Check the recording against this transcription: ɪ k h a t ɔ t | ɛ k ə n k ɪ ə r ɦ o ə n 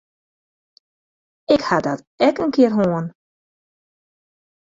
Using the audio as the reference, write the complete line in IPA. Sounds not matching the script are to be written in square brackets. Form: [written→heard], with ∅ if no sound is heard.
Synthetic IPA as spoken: ɪ k h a [t→d] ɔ t | ɛ k ə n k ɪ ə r ɦ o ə n